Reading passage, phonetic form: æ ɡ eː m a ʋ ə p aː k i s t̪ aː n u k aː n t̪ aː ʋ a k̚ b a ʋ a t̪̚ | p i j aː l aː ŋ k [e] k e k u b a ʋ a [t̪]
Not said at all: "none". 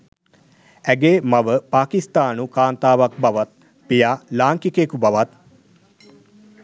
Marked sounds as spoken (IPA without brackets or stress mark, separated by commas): i, t̪